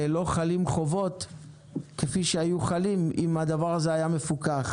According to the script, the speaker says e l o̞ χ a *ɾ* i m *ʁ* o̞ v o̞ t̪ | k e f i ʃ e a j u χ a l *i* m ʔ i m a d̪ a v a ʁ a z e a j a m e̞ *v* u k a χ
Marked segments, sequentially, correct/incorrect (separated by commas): incorrect, incorrect, correct, incorrect